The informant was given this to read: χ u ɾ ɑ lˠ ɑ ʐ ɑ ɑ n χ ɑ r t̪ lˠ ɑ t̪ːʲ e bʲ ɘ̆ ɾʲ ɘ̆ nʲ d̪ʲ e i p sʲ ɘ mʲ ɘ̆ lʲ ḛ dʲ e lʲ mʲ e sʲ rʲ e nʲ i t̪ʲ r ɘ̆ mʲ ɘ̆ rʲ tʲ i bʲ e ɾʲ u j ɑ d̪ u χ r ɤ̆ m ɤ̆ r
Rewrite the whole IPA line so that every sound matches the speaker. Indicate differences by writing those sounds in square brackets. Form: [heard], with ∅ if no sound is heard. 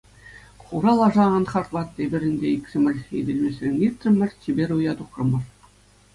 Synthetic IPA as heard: χ u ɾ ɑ lˠ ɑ ʐ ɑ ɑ n χ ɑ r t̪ lˠ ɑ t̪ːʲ e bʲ ɘ̆ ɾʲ ɘ̆ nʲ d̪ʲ e i [k] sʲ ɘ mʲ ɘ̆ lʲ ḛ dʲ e lʲ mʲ e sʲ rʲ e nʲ i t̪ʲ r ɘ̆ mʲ ɘ̆ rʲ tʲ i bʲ e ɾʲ u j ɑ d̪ u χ r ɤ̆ m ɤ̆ r

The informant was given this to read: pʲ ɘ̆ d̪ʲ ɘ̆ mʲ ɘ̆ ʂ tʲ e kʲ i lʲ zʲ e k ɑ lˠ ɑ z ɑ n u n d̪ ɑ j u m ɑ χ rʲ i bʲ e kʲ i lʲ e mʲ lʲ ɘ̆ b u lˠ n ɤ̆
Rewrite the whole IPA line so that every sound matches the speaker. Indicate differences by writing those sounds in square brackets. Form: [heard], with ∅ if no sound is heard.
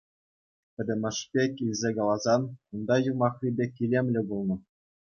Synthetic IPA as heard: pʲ ɘ̆ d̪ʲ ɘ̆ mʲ ɘ̆ ʂ [pʲ] e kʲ i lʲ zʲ e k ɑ lˠ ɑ z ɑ n u n d̪ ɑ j u m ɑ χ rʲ i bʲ e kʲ i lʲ e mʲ lʲ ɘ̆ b u lˠ n ɤ̆

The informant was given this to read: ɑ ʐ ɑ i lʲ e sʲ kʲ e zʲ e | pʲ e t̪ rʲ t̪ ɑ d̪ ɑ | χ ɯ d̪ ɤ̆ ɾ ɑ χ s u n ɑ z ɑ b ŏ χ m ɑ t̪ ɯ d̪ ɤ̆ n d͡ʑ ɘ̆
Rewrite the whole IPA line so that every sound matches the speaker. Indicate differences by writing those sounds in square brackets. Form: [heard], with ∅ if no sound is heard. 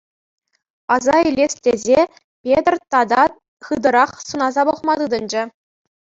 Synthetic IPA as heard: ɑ [z] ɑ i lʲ e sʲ [tʲ] e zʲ e | pʲ e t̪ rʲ t̪ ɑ d̪ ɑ | χ ɯ d̪ ɤ̆ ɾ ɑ χ s u n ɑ z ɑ b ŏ χ m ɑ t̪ ɯ d̪ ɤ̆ n d͡ʑ ɘ̆

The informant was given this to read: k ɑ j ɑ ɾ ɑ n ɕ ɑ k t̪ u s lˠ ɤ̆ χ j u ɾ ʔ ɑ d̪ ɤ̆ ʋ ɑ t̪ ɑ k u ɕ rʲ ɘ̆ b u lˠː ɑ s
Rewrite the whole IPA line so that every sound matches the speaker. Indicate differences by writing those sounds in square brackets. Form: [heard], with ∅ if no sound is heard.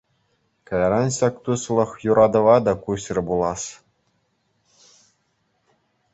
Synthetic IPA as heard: k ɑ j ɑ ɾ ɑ n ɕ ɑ k t̪ u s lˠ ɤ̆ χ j u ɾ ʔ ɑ d̪ ɤ̆ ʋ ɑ [d̪] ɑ k u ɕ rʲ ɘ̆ b u [lˠ] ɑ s

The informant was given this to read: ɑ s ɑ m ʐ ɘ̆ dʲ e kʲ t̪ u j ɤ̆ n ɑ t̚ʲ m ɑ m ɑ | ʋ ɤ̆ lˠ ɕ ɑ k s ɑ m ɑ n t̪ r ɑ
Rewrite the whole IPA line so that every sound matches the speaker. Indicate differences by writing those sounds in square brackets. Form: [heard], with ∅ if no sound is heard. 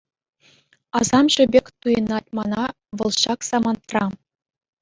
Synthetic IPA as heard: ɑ [z] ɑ m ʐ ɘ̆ [bʲ] e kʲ t̪ u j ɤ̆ n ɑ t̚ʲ m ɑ [n] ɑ | ʋ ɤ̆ lˠ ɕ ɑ k s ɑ m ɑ n t̪ r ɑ

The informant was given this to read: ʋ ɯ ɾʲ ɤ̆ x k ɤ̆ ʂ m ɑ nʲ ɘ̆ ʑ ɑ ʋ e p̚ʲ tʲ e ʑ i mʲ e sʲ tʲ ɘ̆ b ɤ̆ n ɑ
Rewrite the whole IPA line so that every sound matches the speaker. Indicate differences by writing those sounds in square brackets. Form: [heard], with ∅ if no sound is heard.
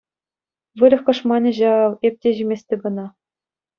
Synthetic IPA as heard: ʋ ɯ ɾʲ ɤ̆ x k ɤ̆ ʂ m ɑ nʲ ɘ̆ ʑ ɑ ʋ e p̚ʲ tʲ e ʑ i mʲ e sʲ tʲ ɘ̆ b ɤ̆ n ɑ

